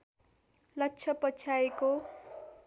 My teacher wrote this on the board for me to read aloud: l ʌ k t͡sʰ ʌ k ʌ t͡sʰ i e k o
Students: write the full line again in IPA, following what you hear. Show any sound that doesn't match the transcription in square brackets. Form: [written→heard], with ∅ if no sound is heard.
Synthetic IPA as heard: l ʌ k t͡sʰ ʌ [k→p] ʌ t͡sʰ [i→a] e k o